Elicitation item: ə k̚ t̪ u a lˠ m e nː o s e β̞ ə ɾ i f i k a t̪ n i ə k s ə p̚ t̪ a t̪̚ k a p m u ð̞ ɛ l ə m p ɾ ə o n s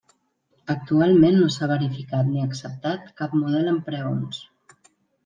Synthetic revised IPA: ə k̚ t̪ u a lˠ m e nː o s a β̞ ə ɾ i f i k a t̪ n i ə k s ə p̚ t̪ a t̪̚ k a p m u ð̞ ɛ l ə m p ɾ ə o n s